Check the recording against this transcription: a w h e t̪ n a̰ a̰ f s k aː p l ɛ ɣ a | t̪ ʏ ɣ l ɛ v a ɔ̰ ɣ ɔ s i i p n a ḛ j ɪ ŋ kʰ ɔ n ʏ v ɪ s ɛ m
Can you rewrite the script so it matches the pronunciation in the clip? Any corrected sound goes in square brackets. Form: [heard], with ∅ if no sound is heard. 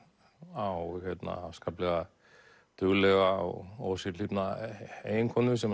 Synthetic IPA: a w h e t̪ n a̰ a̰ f s k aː p l ɛ ɣ a | t̪ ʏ ɣ l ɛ [ɣ] a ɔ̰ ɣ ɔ s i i p n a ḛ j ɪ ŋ kʰ ɔ n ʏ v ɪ s ɛ m